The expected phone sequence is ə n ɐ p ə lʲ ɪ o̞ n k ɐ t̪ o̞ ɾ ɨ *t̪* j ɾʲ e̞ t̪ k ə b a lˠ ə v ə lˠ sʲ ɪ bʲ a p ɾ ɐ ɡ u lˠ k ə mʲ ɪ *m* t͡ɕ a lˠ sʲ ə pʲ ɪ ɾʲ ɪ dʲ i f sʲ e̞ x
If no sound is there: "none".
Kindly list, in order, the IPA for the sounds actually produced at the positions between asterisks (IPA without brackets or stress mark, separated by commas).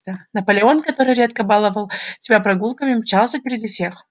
none, m